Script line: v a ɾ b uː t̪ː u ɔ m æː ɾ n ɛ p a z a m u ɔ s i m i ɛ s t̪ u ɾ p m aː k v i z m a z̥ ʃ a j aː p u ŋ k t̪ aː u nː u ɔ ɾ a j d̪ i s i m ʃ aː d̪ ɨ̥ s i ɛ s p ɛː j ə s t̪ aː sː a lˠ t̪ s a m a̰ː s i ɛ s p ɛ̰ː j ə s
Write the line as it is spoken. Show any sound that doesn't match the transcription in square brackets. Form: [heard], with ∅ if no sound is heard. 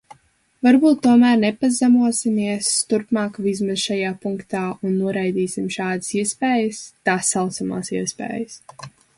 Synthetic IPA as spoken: v a ɾ b uː t̪ː u ɔ m æː ɾ n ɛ p a z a m u ɔ s i m i ɛ s t̪ u ɾ p m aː k v i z m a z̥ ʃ a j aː p u ŋ k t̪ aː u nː u ɔ ɾ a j d̪ [iː] s i m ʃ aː d̪ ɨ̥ s i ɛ s p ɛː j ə s t̪ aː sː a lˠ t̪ s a m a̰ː s i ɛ s p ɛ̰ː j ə s